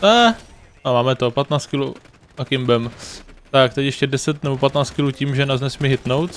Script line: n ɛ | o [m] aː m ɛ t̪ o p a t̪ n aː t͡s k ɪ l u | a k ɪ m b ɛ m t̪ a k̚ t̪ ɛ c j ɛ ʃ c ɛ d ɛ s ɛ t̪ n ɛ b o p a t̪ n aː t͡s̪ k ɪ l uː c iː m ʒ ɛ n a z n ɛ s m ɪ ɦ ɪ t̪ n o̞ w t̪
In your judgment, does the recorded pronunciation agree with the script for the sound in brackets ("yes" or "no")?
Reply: yes